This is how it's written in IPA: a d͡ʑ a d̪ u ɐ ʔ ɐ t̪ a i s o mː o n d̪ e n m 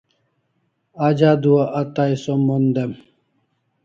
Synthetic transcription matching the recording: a d͡ʑ a d̪ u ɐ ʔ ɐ t̪ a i s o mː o n d̪ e m